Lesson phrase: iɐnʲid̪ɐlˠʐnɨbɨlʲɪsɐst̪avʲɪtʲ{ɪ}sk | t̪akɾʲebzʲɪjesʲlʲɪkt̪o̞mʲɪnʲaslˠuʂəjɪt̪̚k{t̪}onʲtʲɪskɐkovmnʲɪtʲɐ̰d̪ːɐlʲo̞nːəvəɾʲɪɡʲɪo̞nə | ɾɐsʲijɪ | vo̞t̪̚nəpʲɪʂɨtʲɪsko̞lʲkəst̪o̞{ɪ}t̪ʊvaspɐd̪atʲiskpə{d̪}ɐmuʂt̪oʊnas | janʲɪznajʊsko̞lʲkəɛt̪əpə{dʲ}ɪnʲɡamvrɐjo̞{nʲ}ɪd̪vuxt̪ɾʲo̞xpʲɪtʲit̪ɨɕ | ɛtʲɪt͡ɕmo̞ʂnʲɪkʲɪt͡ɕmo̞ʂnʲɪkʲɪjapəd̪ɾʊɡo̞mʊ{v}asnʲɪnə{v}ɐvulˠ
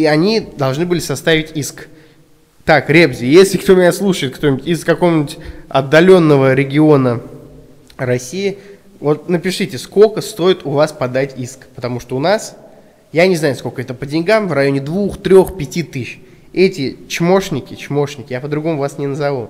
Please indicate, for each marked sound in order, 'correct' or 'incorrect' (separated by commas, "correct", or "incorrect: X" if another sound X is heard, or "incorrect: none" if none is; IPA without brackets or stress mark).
incorrect: i, correct, correct, incorrect: t̪, correct, correct, correct, incorrect: z